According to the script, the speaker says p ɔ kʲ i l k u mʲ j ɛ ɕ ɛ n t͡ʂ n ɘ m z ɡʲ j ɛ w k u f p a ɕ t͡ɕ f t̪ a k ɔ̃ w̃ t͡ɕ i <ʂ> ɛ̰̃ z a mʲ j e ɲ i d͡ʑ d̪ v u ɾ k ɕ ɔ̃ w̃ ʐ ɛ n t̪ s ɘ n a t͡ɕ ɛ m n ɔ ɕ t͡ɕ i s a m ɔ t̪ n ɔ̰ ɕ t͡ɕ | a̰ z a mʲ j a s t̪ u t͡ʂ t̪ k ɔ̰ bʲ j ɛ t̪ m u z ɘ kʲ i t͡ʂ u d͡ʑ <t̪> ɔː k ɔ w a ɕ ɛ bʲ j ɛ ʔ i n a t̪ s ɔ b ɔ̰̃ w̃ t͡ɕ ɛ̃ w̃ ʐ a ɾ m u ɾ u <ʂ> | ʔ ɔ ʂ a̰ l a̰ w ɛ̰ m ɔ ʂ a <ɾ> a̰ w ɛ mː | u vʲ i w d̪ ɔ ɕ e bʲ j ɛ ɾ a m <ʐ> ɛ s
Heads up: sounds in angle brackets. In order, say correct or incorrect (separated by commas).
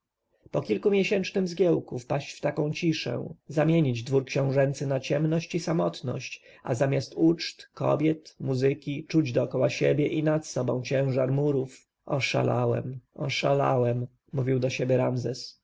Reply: correct, incorrect, incorrect, incorrect, incorrect